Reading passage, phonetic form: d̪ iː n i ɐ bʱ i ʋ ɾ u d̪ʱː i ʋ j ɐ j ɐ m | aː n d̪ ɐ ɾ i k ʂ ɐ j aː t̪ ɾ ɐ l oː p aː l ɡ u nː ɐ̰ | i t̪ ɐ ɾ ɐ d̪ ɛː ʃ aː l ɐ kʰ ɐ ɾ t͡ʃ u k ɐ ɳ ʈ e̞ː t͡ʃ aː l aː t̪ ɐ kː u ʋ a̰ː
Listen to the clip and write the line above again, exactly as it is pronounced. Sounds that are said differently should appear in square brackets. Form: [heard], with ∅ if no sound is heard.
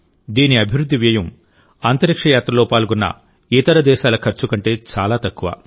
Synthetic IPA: d̪ iː n i ɐ bʱ i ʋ ɾ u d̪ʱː i ʋ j ɐ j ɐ m | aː n [t̪] ɐ ɾ i k ʂ ɐ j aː t̪ ɾ ɐ l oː p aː l ɡ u nː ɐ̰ | i t̪ ɐ ɾ ɐ d̪ ɛː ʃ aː l ɐ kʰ ɐ ɾ t͡ʃ u k ɐ ɳ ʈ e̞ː t͡ʃ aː l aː t̪ ɐ kː u ʋ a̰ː